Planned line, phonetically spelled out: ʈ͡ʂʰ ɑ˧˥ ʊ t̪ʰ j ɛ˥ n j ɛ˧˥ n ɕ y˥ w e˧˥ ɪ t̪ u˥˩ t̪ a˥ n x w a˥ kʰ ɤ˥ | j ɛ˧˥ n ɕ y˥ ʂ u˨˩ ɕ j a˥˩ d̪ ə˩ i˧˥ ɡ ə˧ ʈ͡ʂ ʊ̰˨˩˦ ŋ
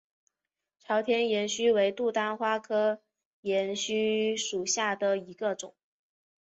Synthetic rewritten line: ʈ͡ʂʰ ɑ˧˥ ʊ t̪ʰ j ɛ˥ n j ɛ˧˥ n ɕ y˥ w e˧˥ ɪ t̪ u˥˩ t̪ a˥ n x w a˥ kʰ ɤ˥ | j ɛ˧˥ n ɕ y˥ ʂ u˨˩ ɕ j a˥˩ d̪ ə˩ i˧˥ ɡ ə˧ ʈ͡ʂ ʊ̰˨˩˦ ŋ